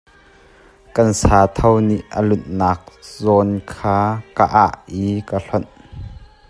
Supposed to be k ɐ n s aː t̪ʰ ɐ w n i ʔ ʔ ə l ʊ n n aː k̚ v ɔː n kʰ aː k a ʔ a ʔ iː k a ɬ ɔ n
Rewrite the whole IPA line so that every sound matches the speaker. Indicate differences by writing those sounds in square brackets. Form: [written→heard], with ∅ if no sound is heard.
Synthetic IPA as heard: k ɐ n s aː t̪ʰ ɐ w n i ʔ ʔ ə l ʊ n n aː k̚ [v→z] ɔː n kʰ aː k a ʔ a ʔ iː k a ɬ ɔ n